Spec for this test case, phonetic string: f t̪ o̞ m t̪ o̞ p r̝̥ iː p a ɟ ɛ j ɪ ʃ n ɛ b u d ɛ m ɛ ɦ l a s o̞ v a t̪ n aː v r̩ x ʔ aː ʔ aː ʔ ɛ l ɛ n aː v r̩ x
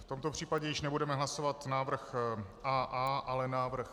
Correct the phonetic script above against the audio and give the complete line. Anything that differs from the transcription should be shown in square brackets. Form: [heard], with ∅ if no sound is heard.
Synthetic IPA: f t̪ o̞ m t̪ o̞ p r̝̥ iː p a ɟ ɛ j ɪ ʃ n ɛ b u d ɛ m ɛ ɦ l a s o̞ v a t̪ n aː v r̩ x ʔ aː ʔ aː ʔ [a] l ɛ n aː v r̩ x